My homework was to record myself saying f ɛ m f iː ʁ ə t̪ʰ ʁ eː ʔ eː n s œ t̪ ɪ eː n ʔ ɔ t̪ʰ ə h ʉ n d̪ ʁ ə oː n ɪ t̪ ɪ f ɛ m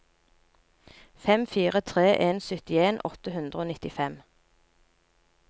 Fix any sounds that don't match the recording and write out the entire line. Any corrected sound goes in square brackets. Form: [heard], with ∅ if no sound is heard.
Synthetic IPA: f ɛ m f iː ʁ ə t̪ʰ ʁ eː ʔ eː n s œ t̪ ɪ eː n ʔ ɔ [t̪] ə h ʉ n d̪ ʁ ə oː n ɪ t̪ ɪ f ɛ m